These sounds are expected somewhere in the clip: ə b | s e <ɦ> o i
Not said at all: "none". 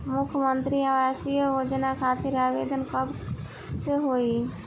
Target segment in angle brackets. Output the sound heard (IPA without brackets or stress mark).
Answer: ɦ